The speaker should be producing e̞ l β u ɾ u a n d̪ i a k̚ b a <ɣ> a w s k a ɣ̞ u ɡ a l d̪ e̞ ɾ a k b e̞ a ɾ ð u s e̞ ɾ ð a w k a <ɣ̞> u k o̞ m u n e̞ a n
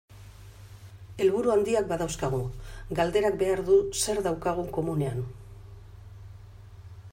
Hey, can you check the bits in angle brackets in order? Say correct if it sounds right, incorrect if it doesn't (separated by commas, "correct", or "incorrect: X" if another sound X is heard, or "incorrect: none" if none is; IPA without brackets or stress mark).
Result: incorrect: ð, correct